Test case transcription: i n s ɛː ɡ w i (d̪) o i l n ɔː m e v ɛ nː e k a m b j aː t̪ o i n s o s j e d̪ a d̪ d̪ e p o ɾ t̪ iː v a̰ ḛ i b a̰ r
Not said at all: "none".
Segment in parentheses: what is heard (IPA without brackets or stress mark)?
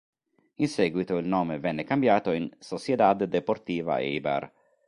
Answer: t̪